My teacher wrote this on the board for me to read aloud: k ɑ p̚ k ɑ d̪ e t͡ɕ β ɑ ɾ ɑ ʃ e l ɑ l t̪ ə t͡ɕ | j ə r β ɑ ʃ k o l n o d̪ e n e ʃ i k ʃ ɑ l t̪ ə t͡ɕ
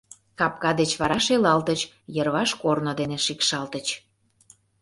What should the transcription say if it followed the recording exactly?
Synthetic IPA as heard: k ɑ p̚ k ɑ d̪ e t͡ɕ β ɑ ɾ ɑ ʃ e l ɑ l t̪ ə t͡ɕ | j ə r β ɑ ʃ k o r n o d̪ e n e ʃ i k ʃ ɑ l t̪ ə t͡ɕ